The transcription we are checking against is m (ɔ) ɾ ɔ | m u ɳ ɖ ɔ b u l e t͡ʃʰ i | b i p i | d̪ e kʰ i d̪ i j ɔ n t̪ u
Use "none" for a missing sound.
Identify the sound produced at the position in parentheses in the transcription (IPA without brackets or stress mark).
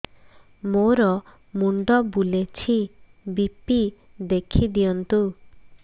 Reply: o